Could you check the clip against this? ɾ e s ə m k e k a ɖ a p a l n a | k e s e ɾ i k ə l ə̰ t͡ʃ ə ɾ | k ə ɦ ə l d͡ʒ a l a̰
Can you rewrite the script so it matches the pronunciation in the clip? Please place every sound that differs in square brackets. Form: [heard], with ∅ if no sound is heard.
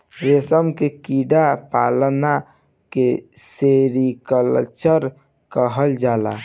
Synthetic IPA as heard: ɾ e s ə m k e k [i] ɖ a p a l n a | k e s e ɾ i k ə l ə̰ t͡ʃ ə ɾ | k ə ɦ ə l d͡ʒ a l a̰